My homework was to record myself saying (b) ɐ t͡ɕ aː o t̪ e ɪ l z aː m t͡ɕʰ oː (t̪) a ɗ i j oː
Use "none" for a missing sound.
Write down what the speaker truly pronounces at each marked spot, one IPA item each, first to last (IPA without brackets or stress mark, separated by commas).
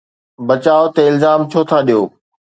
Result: b, t̪ʰ